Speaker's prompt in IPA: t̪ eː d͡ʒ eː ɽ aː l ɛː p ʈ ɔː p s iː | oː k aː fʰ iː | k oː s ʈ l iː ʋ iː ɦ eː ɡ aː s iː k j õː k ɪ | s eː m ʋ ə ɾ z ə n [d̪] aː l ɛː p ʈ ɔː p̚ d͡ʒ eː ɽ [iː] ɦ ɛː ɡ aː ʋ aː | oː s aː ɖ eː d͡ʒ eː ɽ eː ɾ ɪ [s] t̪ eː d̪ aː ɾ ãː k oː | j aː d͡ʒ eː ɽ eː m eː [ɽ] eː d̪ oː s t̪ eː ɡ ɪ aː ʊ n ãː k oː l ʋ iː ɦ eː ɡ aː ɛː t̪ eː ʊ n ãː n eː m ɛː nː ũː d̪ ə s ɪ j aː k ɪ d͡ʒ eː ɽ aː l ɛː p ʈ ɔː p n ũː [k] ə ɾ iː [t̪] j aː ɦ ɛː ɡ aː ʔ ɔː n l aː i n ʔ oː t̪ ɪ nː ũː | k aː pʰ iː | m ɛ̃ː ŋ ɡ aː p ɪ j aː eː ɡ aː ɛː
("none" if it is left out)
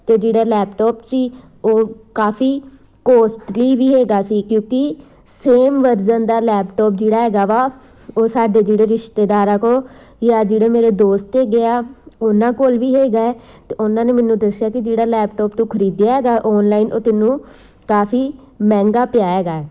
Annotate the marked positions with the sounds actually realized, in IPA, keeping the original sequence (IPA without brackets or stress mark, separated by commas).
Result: d̪, aː, ʃ, ɾ, kʰ, d̪